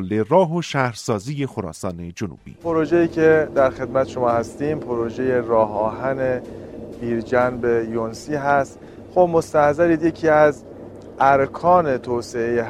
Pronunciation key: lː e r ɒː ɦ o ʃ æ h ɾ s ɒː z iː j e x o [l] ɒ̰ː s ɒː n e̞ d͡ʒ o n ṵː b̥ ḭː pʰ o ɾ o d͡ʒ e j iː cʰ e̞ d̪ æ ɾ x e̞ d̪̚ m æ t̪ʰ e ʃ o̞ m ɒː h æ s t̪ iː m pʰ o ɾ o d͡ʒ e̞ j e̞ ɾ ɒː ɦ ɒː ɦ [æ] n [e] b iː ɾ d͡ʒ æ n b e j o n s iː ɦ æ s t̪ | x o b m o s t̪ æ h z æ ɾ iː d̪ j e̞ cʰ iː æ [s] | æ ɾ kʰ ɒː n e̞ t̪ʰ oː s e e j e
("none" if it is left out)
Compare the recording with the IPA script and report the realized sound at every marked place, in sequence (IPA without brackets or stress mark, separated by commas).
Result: ɾ, æ, e, z